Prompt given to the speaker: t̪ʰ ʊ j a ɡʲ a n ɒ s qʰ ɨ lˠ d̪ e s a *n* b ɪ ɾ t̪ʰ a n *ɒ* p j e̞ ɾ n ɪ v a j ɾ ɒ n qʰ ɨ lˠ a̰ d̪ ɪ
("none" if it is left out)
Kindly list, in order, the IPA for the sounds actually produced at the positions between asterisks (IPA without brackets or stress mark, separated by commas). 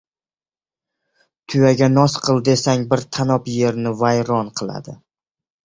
ŋ, ɒ